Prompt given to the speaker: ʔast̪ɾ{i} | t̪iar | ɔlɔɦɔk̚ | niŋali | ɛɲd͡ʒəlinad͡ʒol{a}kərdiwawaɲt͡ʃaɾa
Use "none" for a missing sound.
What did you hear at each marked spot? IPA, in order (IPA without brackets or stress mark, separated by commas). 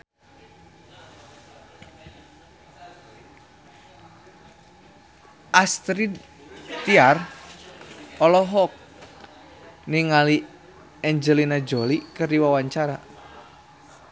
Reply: i, i